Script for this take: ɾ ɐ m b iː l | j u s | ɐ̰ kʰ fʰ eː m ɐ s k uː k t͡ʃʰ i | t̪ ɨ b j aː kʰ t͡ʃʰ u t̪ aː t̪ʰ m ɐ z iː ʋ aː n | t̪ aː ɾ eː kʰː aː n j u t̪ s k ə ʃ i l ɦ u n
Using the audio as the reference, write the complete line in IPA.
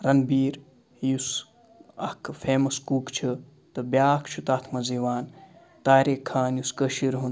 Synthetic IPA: ɾ ɐ n b iː ɾ | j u s | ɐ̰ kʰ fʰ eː m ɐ s k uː k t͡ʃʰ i | t̪ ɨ b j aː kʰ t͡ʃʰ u t̪ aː t̪ʰ m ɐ z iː ʋ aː n | t̪ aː ɾ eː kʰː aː n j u s k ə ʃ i ɾ ɦ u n